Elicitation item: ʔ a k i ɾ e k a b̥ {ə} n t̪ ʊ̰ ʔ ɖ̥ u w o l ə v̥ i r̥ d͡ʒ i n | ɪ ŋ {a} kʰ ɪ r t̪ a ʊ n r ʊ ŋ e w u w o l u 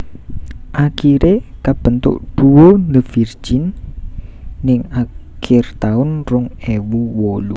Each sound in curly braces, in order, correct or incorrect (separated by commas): correct, correct